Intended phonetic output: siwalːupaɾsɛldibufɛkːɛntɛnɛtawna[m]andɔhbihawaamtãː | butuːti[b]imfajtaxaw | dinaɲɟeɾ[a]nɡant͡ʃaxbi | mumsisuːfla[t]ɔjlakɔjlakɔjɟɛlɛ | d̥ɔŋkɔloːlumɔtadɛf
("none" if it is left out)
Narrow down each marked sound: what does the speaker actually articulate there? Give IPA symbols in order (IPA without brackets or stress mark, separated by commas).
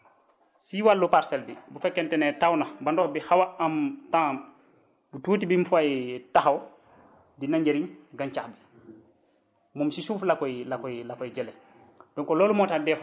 b, b, i, k